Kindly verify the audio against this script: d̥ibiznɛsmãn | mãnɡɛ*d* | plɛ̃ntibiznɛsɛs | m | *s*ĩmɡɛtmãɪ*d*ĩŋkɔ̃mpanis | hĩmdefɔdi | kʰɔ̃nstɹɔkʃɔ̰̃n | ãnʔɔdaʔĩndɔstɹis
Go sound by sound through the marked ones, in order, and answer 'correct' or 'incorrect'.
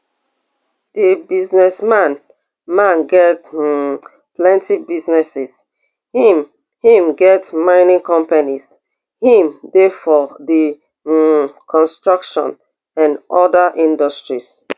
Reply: incorrect: t, incorrect: h, incorrect: n

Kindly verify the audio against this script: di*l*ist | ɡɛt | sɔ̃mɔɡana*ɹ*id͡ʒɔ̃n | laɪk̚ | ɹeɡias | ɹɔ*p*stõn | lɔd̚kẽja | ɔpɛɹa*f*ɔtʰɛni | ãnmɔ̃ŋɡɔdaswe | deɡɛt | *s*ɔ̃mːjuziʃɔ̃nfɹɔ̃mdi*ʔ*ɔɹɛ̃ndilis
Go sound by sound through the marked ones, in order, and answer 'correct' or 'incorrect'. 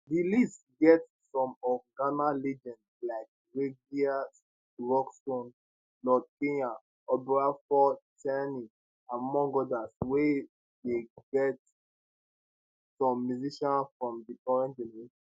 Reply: correct, incorrect: l, incorrect: k, correct, correct, incorrect: k

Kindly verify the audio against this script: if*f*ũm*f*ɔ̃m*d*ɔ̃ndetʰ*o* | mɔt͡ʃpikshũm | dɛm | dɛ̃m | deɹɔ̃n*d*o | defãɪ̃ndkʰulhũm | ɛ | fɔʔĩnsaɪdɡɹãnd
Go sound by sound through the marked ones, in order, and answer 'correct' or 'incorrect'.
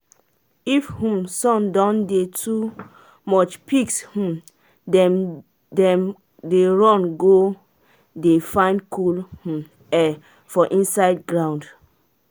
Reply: incorrect: h, incorrect: s, correct, incorrect: u, incorrect: ɡ

